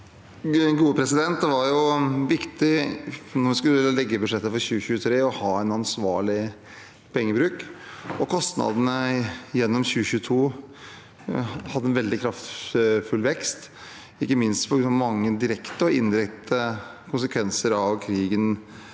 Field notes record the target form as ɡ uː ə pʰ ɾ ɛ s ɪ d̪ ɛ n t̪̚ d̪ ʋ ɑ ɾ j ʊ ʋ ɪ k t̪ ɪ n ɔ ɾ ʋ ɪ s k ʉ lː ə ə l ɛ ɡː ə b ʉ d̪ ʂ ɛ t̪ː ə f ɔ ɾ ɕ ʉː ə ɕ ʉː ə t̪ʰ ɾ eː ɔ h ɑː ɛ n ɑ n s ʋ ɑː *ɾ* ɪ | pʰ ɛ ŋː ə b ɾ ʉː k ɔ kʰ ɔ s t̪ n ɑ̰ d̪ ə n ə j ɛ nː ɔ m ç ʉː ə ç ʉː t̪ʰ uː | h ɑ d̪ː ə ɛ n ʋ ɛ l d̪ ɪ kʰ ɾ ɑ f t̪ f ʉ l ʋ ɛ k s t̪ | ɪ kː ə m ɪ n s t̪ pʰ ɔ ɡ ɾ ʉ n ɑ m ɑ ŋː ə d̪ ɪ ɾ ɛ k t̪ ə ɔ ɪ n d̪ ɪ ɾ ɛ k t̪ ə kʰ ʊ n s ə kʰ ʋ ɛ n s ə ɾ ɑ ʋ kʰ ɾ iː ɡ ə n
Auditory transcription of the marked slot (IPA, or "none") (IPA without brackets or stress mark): ɭ